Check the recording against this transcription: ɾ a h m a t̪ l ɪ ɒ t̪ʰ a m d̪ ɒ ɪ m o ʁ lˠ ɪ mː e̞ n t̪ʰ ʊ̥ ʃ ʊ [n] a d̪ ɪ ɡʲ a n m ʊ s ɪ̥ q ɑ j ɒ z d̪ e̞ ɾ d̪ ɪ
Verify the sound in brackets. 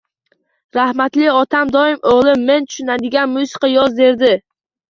correct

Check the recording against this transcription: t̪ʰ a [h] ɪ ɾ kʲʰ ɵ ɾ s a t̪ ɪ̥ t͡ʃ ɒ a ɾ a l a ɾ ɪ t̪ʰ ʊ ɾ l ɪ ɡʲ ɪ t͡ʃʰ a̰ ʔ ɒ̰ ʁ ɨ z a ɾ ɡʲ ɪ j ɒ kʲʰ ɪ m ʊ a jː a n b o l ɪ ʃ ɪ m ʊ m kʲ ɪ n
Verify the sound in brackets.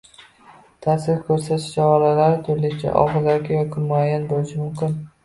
incorrect: s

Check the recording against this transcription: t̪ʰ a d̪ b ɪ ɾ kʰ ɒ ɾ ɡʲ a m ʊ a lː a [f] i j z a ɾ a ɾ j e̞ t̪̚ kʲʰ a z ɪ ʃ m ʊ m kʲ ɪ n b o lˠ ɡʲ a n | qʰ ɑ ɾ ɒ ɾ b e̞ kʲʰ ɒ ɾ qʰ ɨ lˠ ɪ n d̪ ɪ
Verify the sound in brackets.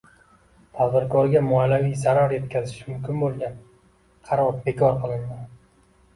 incorrect: v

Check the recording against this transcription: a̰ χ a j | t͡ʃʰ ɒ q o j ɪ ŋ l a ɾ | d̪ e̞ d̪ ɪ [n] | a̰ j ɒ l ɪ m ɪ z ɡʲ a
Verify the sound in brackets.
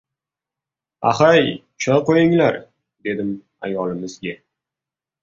incorrect: m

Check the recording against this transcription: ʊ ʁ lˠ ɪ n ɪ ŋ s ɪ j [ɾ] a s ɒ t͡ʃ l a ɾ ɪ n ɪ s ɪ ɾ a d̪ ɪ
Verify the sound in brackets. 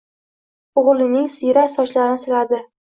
correct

